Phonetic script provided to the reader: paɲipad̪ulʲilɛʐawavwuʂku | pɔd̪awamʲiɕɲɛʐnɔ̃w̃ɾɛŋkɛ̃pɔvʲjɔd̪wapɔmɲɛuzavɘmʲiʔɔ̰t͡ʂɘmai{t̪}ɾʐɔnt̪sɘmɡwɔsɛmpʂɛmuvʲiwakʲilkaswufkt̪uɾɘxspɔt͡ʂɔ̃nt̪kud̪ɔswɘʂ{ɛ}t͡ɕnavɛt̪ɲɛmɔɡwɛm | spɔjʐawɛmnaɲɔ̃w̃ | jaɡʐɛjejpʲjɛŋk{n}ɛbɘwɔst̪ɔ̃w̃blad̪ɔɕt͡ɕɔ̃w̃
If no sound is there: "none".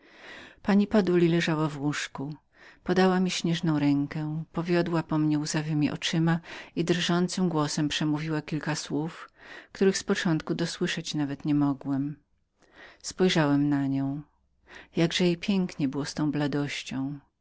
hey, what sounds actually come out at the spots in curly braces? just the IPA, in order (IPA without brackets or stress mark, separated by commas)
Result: d̪, ɛ, ɲ